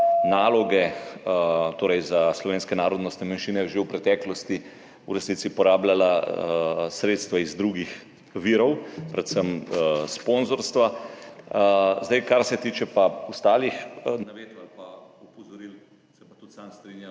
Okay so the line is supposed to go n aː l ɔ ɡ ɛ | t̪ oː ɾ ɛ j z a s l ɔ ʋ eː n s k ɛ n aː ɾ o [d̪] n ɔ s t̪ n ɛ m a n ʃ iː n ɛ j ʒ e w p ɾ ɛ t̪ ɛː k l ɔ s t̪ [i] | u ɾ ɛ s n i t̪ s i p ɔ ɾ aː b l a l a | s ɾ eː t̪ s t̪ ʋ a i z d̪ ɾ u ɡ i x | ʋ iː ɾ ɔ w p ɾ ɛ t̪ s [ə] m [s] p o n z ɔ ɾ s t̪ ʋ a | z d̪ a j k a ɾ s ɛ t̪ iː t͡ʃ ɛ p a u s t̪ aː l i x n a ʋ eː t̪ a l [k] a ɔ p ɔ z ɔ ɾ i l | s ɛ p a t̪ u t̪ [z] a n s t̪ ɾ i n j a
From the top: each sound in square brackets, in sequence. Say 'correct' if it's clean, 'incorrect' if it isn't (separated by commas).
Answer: correct, correct, correct, correct, incorrect, incorrect